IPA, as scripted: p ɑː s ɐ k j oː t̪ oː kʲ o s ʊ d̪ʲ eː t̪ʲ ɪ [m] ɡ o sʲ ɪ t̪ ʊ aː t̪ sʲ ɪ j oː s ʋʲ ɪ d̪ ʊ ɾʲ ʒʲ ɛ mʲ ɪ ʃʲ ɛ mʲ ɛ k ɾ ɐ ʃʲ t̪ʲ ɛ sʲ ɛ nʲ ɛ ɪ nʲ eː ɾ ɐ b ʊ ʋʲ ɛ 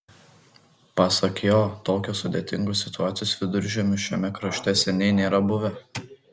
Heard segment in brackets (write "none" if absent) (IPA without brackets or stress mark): ŋ